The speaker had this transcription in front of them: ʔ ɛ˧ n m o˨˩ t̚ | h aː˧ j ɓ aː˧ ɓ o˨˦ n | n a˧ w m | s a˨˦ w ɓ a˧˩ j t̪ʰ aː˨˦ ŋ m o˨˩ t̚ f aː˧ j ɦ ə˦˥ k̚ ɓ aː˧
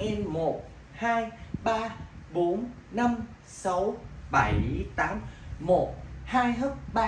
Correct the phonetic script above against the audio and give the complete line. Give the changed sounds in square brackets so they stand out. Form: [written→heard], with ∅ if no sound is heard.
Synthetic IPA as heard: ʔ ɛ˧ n m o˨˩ t̚ | h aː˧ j ɓ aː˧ ɓ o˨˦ n | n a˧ [w→∅] m | s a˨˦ w ɓ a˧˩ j [t̪ʰ→t̪] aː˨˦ [ŋ→m] m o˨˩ t̚ [f→h] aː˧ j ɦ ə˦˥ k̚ ɓ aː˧

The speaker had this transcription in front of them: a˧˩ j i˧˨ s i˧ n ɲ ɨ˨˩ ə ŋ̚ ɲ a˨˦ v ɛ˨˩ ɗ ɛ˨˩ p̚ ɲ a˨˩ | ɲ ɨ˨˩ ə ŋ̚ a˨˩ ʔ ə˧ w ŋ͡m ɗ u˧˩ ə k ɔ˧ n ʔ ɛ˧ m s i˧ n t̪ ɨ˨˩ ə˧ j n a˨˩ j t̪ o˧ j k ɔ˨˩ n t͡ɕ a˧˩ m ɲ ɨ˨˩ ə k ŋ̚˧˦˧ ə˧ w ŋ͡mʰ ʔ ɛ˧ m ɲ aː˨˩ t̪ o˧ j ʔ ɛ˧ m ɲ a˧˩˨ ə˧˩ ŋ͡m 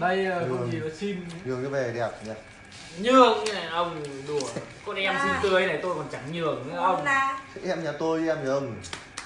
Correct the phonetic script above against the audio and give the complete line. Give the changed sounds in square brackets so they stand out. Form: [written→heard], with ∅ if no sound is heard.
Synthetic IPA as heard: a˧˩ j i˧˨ s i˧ n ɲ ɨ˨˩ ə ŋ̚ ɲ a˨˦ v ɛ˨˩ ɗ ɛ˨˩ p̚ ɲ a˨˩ | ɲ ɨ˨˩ ə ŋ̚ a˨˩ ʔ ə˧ w ŋ͡m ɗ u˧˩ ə k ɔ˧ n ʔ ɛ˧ m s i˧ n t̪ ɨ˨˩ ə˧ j n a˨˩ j t̪ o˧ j k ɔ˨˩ n t͡ɕ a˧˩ [m→ŋ] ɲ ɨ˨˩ ə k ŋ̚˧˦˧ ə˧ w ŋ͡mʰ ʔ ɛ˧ m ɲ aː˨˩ t̪ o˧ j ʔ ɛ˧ m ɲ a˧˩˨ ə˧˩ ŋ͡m

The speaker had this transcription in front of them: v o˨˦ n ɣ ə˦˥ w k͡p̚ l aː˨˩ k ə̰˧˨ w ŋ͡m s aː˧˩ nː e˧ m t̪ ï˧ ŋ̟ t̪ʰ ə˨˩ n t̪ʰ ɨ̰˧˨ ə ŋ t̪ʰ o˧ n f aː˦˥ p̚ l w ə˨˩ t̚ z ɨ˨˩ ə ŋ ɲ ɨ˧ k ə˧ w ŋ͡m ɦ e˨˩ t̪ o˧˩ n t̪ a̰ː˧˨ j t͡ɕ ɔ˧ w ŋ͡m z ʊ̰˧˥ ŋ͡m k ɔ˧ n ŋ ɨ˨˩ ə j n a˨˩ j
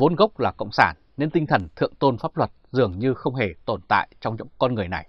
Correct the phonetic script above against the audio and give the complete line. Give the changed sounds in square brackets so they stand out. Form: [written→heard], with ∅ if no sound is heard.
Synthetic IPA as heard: v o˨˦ n ɣ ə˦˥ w k͡p̚ l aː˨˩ k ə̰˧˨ w ŋ͡m s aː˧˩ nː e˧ [m→n] t̪ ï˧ ŋ̟ t̪ʰ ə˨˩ n t̪ʰ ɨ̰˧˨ ə ŋ [t̪ʰ→t̪] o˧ n f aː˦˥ p̚ l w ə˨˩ t̚ z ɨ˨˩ ə ŋ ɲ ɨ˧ [k→x] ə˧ w ŋ͡m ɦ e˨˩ t̪ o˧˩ n t̪ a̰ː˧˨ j t͡ɕ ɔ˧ w ŋ͡m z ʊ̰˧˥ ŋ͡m k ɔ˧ n ŋ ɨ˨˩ ə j n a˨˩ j

